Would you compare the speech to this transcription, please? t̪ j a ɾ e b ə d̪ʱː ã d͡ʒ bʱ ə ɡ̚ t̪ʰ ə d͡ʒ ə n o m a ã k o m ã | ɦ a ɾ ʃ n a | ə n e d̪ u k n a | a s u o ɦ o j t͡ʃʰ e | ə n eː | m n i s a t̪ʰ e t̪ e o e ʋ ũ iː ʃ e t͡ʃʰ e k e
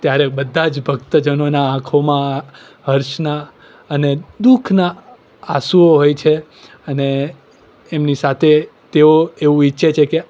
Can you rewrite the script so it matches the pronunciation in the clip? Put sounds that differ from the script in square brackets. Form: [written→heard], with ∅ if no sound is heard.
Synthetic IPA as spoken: t̪ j a ɾ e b ə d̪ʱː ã d͡ʒ bʱ ə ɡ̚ [t̪ʰ→t̪] ə d͡ʒ ə n o [m→n] a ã [k→kʰ] o m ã | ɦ [a→ə] ɾ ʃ n a | ə n e d̪ u [k→kʰ] n a | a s u o ɦ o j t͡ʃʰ e | ə n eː | m n i s a t̪ʰ e t̪ e o e ʋ ũ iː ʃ e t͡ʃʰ e k e